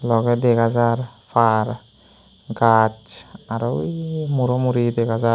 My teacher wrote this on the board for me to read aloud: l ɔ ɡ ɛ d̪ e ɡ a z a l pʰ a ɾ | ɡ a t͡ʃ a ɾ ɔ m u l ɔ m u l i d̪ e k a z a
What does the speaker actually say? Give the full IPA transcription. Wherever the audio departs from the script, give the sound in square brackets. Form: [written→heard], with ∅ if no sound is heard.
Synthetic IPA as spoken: l ɔ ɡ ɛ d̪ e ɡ a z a [l→ɾ] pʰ a ɾ | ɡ a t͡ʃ a ɾ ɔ m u [l→ɾ] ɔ m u [l→ɾ] i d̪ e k a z a